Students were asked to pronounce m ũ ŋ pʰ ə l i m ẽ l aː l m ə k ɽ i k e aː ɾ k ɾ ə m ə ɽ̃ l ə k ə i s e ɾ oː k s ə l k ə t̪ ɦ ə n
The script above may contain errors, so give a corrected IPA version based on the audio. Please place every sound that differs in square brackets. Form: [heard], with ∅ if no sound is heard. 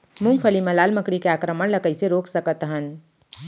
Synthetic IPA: m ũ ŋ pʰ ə l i m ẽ l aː l m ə k ɽ i k e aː [∅] k ɾ ə m ə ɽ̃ l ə k ə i s e ɾ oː k s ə [∅] k ə t̪ ɦ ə n